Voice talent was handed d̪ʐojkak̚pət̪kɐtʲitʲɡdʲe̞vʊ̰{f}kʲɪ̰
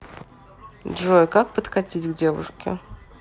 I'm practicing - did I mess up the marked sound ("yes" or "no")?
yes